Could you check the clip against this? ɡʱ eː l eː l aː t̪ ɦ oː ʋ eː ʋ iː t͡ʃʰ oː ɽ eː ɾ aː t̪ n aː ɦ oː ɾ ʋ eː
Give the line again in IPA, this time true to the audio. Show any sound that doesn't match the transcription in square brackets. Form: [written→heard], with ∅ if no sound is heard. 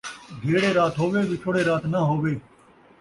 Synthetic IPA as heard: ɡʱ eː [l→ɽ] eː [l→ɾ] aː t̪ ɦ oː ʋ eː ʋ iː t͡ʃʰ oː ɽ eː ɾ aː t̪ n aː ɦ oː [ɾ→∅] ʋ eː